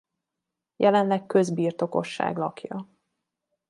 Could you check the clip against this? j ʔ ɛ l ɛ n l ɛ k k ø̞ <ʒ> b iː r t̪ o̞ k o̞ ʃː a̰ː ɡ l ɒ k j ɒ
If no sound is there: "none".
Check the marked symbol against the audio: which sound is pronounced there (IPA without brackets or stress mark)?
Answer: z